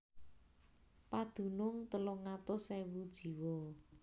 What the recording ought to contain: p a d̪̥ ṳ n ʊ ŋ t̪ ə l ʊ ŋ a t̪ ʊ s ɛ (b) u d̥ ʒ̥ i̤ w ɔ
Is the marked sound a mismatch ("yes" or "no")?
yes